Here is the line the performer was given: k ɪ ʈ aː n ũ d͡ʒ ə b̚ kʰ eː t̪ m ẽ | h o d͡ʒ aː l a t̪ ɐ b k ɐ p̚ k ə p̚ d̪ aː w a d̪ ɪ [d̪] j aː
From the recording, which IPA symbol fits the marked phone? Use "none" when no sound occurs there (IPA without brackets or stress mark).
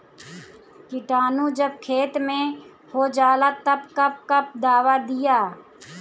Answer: none